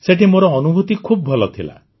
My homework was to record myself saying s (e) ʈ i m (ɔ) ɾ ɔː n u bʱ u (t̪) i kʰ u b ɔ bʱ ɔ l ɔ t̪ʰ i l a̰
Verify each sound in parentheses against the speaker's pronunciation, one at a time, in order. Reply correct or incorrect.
correct, incorrect, correct

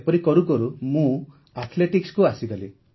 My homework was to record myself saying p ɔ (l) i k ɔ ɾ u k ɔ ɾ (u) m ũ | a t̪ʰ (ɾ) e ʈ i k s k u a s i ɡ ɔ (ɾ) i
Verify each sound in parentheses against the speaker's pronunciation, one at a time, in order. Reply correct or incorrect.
incorrect, correct, incorrect, incorrect

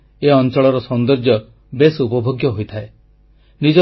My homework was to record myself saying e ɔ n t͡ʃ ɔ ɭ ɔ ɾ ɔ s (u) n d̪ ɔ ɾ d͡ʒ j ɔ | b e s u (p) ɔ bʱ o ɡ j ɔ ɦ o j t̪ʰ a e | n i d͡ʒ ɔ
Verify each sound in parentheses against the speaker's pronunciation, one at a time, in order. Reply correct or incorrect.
incorrect, correct

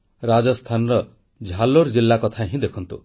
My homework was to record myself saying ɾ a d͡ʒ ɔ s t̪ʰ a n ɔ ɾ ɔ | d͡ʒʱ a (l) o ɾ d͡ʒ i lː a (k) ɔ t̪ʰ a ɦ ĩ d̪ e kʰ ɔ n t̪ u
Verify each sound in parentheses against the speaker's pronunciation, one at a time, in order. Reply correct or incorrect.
correct, correct

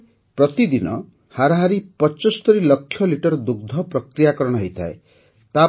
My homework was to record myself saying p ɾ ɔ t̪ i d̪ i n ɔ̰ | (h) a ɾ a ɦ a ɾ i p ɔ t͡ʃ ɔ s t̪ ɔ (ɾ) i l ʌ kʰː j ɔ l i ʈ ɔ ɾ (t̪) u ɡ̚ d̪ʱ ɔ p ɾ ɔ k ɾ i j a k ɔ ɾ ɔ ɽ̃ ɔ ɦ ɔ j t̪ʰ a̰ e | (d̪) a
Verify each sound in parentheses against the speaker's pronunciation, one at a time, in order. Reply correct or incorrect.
correct, correct, incorrect, incorrect

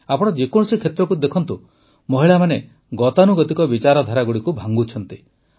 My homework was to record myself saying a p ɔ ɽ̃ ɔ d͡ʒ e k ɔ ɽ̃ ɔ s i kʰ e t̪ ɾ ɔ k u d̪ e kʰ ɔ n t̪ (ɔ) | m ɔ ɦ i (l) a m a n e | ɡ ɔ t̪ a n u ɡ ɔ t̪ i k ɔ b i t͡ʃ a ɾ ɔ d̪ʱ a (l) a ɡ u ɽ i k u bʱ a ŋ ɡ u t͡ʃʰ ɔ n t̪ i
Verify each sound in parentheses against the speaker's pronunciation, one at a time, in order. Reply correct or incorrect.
incorrect, incorrect, incorrect

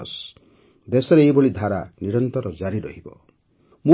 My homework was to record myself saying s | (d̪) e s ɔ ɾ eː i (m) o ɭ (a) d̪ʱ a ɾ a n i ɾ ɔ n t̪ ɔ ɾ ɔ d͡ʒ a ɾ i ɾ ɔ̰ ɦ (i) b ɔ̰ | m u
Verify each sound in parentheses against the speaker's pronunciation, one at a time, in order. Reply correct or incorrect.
correct, incorrect, incorrect, correct

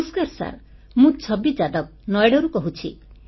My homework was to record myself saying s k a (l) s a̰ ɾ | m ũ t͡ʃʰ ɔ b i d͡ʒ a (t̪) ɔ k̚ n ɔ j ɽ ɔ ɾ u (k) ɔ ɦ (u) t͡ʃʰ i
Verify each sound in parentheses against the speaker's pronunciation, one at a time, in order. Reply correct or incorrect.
incorrect, incorrect, correct, correct

